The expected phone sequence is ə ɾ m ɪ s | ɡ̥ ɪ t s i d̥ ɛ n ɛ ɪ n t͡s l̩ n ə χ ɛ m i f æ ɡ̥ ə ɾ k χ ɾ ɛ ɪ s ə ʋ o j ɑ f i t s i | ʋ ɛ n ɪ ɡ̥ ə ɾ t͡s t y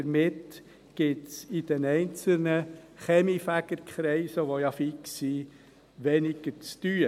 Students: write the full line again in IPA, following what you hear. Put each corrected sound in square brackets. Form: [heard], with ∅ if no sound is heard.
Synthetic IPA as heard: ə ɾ m ɪ [t] | ɡ̥ ɪ t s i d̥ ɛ n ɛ ɪ n t͡s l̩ n ə χ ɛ m i f æ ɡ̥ ə ɾ k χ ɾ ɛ ɪ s ə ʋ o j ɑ f i [k] s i | ʋ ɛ n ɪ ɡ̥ ə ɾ t͡s t y